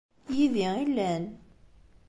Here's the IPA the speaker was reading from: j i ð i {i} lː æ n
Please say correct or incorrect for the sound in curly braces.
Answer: correct